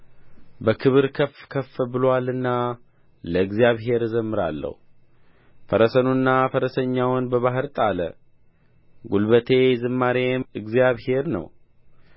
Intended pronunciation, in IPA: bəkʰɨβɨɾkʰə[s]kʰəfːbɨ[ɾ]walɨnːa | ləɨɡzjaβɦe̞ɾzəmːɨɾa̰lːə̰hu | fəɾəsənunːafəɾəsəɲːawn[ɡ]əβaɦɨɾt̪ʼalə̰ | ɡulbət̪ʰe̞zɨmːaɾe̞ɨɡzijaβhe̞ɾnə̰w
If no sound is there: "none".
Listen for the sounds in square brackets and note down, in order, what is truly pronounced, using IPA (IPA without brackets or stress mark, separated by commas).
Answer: f, l, b